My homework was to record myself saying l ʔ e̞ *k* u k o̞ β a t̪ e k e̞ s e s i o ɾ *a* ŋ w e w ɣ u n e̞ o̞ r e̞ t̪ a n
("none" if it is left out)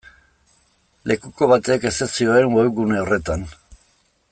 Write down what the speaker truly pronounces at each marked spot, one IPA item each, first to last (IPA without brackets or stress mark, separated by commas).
k, e